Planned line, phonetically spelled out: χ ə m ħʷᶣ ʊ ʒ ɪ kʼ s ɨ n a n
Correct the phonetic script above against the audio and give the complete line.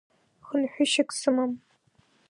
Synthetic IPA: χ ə n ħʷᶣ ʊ ʃ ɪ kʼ s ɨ m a m